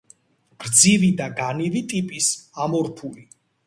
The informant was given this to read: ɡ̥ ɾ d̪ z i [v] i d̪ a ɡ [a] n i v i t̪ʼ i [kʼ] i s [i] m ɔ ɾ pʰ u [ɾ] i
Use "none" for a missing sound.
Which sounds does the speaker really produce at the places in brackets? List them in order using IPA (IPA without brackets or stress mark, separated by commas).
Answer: v, a, pʼ, a, l